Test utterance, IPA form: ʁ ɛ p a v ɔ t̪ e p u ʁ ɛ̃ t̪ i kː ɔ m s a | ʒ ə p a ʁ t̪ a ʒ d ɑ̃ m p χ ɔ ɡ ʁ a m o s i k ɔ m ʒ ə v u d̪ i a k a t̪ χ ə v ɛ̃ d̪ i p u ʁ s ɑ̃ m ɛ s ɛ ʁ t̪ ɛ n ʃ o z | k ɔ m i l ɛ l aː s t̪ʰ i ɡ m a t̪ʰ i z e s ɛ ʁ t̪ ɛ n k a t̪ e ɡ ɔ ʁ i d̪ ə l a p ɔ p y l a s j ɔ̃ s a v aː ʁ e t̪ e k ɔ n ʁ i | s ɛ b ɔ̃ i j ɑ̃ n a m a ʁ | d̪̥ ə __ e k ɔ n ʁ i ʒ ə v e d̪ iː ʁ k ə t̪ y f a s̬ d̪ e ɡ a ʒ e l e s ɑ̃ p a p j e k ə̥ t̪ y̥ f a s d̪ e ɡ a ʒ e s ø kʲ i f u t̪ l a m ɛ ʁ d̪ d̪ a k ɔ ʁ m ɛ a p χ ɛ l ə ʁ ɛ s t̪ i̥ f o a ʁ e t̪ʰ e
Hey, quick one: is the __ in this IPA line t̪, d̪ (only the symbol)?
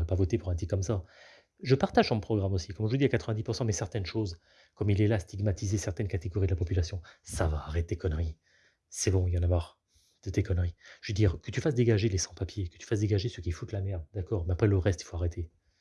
t̪